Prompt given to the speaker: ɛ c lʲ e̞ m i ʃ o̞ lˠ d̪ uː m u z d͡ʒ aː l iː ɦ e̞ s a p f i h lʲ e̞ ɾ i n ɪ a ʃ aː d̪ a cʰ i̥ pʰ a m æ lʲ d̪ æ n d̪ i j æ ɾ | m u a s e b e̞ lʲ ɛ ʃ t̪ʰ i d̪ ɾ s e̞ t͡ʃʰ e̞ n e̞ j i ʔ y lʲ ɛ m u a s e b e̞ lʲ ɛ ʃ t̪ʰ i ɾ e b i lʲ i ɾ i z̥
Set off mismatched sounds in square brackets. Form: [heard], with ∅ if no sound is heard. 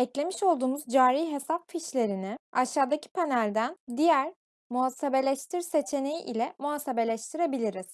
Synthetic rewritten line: ɛ c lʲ e̞ m i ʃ o̞ lˠ d̪ uː m u z d͡ʒ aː [ɾ] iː ɦ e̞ s a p f i [ʃ] lʲ e̞ ɾ i n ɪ a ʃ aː d̪ a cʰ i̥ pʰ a [n] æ lʲ d̪ æ n d̪ i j æ ɾ | m u a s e b e̞ lʲ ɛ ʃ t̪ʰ i [∅] ɾ s e̞ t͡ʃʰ e̞ n e̞ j i ʔ [i] lʲ ɛ m u a s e b e̞ lʲ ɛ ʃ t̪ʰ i ɾ e b i lʲ i ɾ i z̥

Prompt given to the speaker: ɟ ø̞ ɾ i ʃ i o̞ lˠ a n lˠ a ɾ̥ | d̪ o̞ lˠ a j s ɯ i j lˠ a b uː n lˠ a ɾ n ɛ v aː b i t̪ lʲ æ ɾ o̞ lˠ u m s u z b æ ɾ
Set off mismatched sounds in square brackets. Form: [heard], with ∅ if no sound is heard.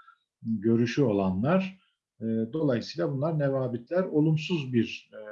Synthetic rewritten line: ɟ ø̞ ɾ [y] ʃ [y] o̞ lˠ a n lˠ a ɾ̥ | d̪ o̞ lˠ a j s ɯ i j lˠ a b [u] n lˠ a ɾ n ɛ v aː b i t̪ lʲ æ ɾ o̞ lˠ u m s u z b [i] ɾ

